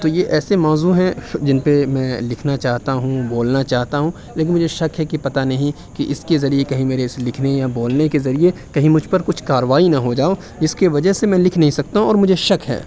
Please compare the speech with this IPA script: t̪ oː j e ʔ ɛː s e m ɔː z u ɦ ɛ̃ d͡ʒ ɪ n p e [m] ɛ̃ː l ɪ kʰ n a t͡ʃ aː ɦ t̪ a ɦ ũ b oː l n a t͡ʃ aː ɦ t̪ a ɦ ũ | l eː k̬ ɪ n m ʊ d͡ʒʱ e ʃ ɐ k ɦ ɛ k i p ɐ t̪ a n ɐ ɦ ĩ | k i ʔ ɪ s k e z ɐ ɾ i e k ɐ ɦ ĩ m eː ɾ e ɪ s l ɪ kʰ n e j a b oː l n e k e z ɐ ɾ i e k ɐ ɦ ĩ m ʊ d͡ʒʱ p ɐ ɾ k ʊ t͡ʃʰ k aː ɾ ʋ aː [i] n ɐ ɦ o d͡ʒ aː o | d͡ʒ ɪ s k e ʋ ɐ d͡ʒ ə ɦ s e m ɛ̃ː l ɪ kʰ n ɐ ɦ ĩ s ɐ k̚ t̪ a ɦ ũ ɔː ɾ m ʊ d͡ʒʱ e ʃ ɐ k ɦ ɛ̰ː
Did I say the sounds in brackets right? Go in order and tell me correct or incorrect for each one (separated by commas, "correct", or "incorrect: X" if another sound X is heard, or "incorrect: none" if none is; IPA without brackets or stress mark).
correct, correct